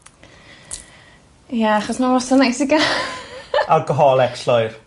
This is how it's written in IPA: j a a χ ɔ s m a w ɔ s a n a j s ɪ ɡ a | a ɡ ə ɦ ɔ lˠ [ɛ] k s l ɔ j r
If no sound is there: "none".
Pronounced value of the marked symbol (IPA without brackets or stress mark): ɛ